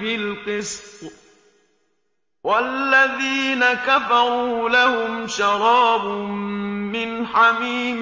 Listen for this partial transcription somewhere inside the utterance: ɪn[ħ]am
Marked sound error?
no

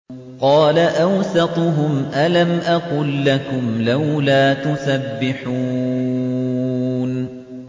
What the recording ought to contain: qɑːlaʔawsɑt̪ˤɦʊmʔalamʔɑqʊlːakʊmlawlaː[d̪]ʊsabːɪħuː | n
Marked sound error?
yes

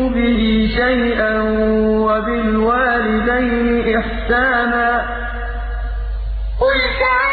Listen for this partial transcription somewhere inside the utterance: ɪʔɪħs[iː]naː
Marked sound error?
yes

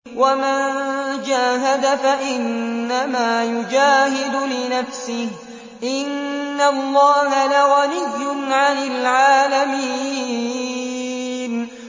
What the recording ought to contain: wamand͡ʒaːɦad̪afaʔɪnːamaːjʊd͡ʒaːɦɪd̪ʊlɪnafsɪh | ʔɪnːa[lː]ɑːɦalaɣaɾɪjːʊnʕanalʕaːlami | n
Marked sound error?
no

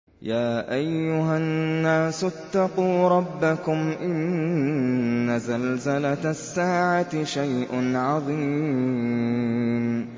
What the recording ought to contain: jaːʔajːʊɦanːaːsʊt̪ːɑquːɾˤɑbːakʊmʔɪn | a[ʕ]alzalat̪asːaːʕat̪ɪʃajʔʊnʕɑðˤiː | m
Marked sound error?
yes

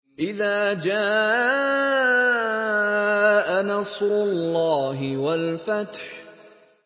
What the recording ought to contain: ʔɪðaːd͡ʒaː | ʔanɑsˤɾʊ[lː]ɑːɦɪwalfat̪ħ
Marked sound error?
no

